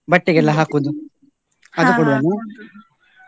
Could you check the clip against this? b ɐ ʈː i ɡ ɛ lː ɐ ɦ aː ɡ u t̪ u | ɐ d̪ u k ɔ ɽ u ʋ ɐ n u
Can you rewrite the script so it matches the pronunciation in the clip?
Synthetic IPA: b ɐ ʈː i ɡ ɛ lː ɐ ɦ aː k u d̪ u | ɐ d̪ u k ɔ ɽ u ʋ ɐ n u

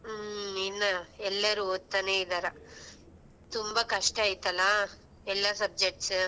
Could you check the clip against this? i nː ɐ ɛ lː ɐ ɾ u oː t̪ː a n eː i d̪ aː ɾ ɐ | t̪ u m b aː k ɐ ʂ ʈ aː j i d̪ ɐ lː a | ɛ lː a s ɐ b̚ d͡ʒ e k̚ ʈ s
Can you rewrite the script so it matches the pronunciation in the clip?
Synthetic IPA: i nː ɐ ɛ lː ɐ ɾ u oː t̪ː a n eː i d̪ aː ɾ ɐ | t̪ u m b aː k ɐ ʂ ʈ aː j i t̪ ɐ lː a | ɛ lː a s ɐ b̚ d͡ʒ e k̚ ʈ s

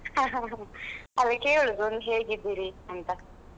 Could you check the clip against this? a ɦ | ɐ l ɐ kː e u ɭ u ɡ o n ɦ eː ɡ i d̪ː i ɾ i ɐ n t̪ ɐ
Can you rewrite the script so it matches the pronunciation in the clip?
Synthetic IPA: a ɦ | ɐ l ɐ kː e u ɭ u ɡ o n ɦ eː ɡ i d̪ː i ɾ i ɐ n t̪ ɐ

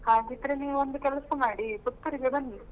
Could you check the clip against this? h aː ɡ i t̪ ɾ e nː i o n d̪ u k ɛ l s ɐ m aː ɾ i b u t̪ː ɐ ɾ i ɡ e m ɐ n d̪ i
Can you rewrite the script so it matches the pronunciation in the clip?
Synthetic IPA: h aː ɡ i t̪ ɾ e n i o n d̪ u k ɛ l s ɐ m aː ɽ i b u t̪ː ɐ ɾ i ɡ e b ɐ n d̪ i

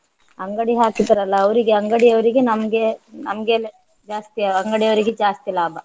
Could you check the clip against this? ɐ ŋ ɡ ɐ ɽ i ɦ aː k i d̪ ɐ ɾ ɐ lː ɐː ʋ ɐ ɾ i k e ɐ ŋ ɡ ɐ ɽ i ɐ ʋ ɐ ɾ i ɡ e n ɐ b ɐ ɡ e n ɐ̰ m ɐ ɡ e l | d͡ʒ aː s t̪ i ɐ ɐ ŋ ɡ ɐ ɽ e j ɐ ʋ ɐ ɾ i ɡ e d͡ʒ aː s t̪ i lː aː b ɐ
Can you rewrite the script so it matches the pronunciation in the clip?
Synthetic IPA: ɐ ŋ ɡ ɐ ɽ i ɦ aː k i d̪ ɐ ɾ ɐ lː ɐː ʋ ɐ ɾ i ɡ e ɐ ŋ ɡ ɐ ɽ i ɐ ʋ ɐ ɾ i ɡ e n ɐ m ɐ ɡ e n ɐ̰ m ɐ ɡ e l | d͡ʒ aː s t̪ i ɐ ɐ ŋ ɡ ɐ ɽ i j ɐ ʋ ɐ ɾ i ɡ e d͡ʒ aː s t̪ i l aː b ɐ

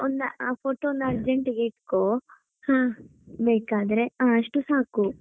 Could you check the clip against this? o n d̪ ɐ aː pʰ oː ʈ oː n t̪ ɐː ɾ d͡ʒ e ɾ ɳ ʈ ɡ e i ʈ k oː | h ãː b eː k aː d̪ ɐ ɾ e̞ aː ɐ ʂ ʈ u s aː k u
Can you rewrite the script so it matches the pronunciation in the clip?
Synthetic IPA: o n d̪ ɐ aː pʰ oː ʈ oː n d̪ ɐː ɾ d͡ʒ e ɳ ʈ ɡ e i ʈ k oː | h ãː b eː k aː d̪ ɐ ɾ e̞ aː ɐ ʂ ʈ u s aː k u

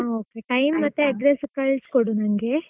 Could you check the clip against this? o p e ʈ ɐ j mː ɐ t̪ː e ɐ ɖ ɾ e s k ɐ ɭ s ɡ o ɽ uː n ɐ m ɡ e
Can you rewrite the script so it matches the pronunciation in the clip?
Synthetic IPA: o k e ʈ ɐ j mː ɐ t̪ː e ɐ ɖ ɾ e s k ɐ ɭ s k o ɽ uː n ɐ ŋ ɡ e

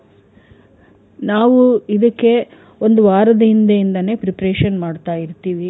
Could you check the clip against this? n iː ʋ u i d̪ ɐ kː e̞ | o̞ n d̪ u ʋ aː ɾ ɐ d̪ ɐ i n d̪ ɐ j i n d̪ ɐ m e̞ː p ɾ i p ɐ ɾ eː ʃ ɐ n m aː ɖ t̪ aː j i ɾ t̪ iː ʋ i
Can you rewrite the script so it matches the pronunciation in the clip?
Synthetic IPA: n aː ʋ u i d̪ ɐ kː e̞ | o̞ n d̪ u ʋ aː ɾ ɐ d̪ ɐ i n d̪ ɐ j i n d̪ ɐ n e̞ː p ɾ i p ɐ ɾ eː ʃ ɐ n m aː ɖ t̪ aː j i ɾ t̪ iː ʋ i

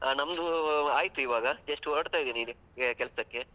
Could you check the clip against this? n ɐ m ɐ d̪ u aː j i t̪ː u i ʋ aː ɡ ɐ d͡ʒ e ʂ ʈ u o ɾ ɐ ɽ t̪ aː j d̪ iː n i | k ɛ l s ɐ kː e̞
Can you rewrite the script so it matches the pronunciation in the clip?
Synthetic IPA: n ɐ m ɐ d̪ u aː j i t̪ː u i ʋ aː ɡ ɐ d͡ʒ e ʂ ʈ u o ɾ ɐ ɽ t̪ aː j d̪ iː n i | k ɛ l s ɐ kː e̞

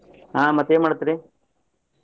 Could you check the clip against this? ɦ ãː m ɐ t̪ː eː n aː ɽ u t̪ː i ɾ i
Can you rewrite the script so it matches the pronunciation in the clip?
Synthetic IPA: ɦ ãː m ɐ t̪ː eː m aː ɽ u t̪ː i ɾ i

